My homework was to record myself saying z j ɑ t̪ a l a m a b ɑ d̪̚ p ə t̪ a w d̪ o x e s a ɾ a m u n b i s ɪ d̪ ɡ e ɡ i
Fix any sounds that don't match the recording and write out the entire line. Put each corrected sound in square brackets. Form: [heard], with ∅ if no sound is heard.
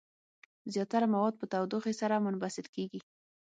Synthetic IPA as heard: z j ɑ t̪ a [ɾ] a m a [w] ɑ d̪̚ p ə t̪ a w d̪ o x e s a ɾ a m [ʊ] n b [a] s ɪ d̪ [k] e ɡ i